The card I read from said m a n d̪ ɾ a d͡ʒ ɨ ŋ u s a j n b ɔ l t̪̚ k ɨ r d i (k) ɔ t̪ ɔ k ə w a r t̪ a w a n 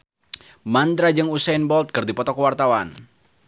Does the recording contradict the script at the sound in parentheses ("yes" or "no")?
yes